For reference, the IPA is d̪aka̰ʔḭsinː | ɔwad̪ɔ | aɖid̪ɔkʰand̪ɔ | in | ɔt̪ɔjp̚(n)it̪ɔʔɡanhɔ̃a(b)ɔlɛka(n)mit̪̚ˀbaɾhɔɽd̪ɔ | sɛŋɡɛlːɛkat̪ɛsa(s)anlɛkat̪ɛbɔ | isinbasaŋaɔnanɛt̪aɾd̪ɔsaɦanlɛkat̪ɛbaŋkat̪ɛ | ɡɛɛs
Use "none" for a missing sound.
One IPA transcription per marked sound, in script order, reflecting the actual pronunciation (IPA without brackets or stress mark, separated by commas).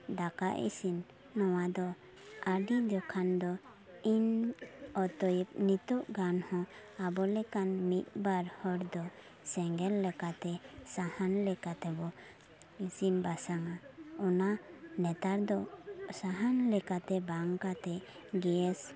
n, b, n, h